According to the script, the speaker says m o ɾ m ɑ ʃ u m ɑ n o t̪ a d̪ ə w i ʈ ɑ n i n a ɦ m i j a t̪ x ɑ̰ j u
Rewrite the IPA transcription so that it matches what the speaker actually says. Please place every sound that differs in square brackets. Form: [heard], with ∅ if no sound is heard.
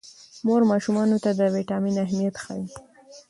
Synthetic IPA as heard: m o ɾ m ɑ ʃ u m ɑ n o t̪ a d̪ ə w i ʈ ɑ [m] i n a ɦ m i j a t̪ x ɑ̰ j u